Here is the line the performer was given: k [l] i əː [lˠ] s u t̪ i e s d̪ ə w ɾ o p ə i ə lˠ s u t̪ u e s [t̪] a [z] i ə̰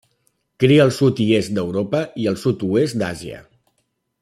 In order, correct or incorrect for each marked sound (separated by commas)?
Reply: incorrect, correct, incorrect, correct